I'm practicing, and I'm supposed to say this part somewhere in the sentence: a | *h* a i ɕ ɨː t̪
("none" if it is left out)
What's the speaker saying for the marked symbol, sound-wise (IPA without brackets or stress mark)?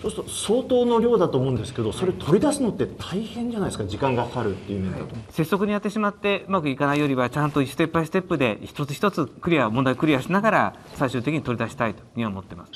s